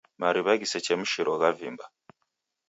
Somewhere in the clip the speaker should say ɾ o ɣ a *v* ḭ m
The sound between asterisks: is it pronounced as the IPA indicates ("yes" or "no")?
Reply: yes